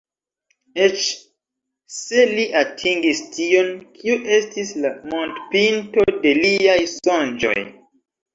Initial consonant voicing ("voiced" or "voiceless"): voiceless